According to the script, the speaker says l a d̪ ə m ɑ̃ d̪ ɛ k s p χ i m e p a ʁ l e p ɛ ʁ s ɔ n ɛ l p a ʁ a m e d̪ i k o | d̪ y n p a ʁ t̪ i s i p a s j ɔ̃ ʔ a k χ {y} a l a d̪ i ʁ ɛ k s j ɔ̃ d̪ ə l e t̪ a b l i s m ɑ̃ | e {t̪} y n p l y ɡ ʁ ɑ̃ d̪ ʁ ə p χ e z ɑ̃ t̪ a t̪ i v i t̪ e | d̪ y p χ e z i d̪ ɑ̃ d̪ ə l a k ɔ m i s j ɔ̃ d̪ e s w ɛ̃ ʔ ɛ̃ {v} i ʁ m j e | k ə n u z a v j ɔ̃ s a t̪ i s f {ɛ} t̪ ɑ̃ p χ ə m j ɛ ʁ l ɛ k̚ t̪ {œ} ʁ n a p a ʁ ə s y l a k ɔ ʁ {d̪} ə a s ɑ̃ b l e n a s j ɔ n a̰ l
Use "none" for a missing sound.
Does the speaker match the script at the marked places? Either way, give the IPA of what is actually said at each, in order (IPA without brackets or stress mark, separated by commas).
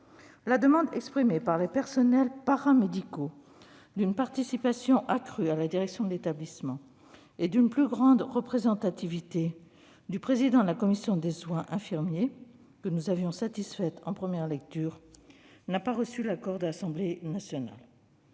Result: y, d̪, f, ɛ, y, d̪